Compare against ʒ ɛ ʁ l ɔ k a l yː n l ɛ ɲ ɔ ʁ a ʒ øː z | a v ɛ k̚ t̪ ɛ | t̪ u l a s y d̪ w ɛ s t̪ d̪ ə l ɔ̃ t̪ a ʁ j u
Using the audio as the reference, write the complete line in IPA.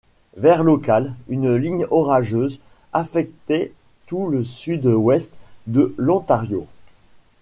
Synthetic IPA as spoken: v ɛ ʁ l ɔ k a l y n l i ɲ ɔ ʁ a ʒ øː z | a f ɛ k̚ t̪ ɛ | t̪ u l ə s y d̪ w ɛ s t̪ d̪ ə l ɔ̃ t̪ a ʁ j o